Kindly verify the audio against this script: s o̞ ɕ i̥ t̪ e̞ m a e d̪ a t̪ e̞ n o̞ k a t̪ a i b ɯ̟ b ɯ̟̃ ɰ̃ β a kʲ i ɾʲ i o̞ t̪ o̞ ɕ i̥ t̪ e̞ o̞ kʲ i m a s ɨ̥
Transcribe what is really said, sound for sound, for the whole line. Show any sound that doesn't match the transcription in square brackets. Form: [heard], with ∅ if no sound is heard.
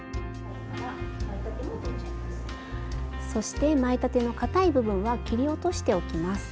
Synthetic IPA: s o̞ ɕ i̥ t̪ e̞ m a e [t̪] a t̪ e̞ n o̞ k a t̪ a i b ɯ̟ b ɯ̟̃ ɰ̃ β a kʲ i ɾʲ i o̞ t̪ o̞ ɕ i̥ t̪ e̞ o̞ kʲ i m a s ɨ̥